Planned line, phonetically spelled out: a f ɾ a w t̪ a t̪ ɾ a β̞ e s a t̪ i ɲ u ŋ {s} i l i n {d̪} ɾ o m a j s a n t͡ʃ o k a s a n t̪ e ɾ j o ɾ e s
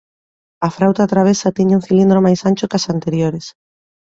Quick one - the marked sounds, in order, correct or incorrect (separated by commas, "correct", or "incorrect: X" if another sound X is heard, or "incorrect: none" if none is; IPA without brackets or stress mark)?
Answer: incorrect: θ, correct